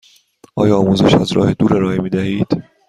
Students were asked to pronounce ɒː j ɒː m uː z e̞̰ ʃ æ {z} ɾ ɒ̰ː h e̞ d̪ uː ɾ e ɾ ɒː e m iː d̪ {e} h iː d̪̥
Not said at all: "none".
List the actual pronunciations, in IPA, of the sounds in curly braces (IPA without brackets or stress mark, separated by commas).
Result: z, æ